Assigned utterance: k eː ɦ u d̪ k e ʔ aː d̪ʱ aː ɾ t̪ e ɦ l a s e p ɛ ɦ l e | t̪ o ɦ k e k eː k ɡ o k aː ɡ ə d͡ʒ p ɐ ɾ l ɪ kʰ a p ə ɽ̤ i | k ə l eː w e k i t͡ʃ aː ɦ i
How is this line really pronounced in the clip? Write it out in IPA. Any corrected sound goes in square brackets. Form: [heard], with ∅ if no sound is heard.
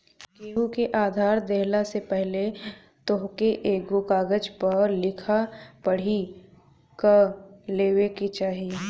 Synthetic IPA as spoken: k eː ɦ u [∅] k e ʔ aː d̪ʱ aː ɾ [d̪] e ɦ l a s e p ɛ ɦ l e | t̪ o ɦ k e [ʔ] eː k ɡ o k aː ɡ ə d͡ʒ p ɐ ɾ l ɪ kʰ a p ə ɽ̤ i | k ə l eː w e k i t͡ʃ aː ɦ i